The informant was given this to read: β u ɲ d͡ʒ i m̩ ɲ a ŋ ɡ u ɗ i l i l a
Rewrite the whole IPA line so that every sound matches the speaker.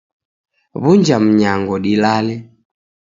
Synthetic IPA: β u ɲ d͡ʒ a m̩ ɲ a ŋ ɡ ɔ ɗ i l a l ɛ